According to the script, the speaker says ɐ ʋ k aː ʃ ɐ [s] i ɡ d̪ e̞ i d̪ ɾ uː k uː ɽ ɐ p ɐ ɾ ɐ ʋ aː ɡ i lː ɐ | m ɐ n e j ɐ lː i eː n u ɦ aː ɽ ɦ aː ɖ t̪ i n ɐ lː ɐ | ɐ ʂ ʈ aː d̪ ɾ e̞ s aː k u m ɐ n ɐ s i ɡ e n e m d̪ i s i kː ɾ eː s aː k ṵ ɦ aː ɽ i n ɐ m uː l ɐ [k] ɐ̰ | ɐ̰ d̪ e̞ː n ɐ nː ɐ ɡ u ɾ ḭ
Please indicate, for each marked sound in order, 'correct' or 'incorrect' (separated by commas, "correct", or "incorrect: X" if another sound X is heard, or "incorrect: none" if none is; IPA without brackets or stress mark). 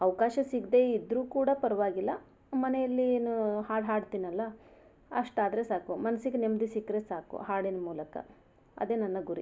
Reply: correct, correct